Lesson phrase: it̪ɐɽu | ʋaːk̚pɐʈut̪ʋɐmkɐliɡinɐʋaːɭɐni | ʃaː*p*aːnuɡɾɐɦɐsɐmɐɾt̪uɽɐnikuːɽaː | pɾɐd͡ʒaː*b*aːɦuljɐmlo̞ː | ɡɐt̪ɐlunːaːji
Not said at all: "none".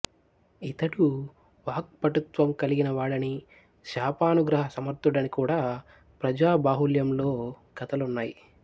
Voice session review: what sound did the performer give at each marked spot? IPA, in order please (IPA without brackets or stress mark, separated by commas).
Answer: p, b